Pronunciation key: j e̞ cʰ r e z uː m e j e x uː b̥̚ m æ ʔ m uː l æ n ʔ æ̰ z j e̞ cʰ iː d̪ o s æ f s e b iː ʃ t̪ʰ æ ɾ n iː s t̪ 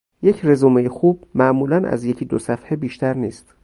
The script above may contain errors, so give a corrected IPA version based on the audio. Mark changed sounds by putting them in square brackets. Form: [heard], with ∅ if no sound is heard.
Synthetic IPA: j e̞ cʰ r e z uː m e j e x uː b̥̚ m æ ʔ m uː l æ n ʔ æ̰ z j e̞ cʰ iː d̪ o s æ f [h] e b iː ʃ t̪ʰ æ ɾ n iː s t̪

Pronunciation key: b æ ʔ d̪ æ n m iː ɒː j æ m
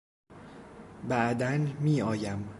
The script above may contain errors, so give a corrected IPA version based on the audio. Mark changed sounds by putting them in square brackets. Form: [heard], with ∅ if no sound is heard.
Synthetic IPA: b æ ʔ d̪ æ n m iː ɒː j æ m

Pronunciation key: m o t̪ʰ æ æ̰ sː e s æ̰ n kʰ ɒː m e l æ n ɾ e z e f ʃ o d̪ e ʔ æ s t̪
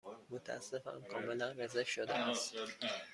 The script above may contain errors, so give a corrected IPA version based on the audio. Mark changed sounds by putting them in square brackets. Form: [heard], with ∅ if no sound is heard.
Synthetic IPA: m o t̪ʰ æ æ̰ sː e [f] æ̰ n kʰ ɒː m e l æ n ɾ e z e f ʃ o d̪ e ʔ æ s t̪

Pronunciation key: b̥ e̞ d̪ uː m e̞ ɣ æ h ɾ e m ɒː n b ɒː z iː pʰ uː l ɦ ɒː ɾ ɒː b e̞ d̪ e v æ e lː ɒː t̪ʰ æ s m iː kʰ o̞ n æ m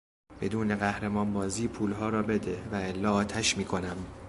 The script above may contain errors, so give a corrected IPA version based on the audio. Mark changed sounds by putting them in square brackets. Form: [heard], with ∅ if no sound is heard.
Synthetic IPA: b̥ e̞ d̪ uː [n] e̞ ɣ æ h ɾ e m ɒː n b ɒː z iː pʰ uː l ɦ ɒː ɾ ɒː b e̞ d̪ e v æ e lː ɒː t̪ʰ æ [ʃ] m iː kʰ o̞ n æ m

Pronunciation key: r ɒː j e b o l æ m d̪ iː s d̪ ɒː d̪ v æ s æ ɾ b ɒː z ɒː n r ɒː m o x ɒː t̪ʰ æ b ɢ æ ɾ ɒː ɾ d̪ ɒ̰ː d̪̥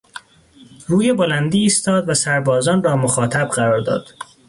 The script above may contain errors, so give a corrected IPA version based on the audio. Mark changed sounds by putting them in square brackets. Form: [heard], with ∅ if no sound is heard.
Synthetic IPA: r [uː] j e b o l æ [n] d̪ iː s [t̪] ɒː d̪ v æ s æ ɾ b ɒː z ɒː n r ɒː m o x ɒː t̪ʰ æ b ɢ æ ɾ ɒː ɾ d̪ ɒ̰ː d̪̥

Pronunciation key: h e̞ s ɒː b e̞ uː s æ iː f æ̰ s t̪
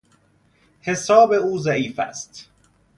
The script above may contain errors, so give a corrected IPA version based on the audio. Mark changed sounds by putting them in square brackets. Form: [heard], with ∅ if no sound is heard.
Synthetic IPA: h e̞ s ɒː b e̞ uː [z] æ iː f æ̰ s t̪

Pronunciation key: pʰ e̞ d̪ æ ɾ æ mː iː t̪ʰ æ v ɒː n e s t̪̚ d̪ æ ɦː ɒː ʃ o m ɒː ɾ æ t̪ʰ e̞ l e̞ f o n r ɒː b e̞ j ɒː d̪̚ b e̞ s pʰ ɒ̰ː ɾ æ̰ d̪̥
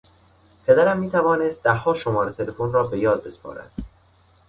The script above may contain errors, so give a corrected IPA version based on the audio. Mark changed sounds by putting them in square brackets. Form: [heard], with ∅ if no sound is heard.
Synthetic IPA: pʰ e̞ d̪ æ ɾ æ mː iː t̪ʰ æ v ɒː n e s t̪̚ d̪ æ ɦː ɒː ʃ o m ɒː ɾ [e] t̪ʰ e̞ l e̞ f o n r ɒː b e̞ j ɒː d̪̚ b e̞ s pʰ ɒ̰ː ɾ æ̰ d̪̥

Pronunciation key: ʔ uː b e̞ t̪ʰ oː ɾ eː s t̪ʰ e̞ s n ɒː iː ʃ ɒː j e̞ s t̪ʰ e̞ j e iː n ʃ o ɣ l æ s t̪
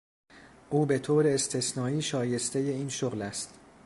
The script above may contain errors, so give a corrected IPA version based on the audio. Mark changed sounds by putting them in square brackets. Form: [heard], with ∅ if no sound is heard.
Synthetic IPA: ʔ uː b e̞ t̪ʰ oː ɾ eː s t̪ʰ e̞ s n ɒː iː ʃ ɒː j e̞ s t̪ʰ e̞ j e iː n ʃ o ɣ l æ s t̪

